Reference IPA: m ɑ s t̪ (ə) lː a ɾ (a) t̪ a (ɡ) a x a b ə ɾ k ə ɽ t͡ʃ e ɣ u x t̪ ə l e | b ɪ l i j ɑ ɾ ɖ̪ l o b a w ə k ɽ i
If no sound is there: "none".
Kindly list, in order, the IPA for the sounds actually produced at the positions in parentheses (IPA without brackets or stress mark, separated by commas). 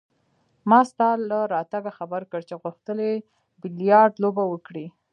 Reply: ɑ, ɑ, ɡ